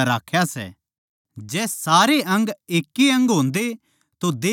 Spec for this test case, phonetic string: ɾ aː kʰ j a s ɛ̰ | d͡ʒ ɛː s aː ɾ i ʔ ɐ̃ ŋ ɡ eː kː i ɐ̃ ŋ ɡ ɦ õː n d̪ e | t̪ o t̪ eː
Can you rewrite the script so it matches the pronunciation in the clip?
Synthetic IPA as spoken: ɾ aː kʰ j a s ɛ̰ | d͡ʒ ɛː s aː ɾ e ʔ ɐ̃ ŋ ɡ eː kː i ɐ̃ ŋ ɡ ɦ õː n d̪ e | t̪ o d̪ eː